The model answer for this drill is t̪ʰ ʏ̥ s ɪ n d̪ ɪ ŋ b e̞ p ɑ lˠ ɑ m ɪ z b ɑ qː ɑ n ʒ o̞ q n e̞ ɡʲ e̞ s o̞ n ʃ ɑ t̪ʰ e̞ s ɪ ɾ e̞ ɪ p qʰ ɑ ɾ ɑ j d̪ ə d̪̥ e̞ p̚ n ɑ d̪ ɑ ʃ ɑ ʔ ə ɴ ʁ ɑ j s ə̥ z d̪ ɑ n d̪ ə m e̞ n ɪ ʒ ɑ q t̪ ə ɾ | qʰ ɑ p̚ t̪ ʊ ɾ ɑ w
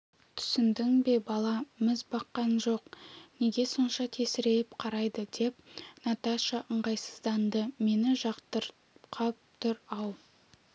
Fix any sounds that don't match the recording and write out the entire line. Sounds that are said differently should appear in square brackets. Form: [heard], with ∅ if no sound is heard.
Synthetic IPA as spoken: t̪ʰ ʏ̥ s ɪ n d̪ ɪ ŋ b e̞ [b] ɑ lˠ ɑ m ɪ z b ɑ qː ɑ n ʒ o̞ q n e̞ ɡʲ e̞ s o̞ n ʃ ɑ t̪ʰ e̞ s ɪ ɾ e̞ ɪ p qʰ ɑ ɾ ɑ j d̪ ə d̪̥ e̞ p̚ n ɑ [t̪] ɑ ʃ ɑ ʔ ə ɴ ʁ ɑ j s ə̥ z d̪ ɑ n d̪ ə m e̞ n ɪ ʒ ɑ q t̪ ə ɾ | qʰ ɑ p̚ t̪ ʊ ɾ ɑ w